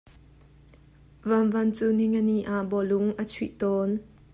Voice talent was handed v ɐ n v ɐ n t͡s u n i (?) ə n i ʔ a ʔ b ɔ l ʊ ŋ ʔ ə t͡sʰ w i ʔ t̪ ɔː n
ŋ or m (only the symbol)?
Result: ŋ